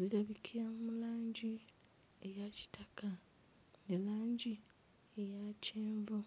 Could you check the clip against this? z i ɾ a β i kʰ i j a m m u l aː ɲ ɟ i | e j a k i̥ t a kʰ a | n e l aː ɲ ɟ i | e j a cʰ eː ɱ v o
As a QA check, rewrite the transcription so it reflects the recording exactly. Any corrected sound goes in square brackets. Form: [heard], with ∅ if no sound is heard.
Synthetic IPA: z i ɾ a β i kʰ i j a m m u l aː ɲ ɟ i | e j a [c] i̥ t a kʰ a | n e l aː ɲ ɟ i | e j a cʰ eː ɱ v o